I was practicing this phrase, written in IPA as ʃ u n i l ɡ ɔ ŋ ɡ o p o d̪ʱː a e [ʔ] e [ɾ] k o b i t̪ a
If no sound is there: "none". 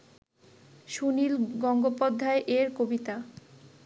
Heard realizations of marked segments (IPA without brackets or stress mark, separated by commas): ʔ, ɾ